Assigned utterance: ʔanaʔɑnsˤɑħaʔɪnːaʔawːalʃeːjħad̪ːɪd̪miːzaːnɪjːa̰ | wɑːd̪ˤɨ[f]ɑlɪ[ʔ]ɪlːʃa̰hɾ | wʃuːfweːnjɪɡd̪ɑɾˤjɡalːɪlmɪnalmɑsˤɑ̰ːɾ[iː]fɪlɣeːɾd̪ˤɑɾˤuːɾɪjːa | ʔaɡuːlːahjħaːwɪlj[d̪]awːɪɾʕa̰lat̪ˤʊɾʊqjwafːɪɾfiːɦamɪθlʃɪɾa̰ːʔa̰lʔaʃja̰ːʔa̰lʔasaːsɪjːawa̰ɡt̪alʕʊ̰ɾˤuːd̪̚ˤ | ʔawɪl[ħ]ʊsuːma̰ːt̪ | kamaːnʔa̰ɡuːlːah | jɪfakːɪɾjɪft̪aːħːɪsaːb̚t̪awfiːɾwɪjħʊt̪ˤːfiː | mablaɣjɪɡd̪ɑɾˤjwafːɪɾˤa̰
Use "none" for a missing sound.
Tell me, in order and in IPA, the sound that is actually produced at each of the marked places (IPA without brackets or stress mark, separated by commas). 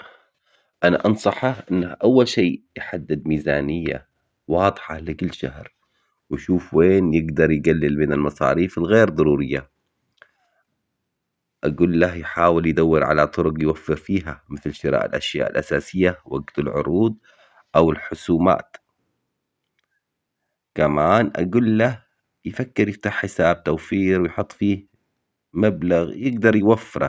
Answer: ħ, k, iː, d̪, ħ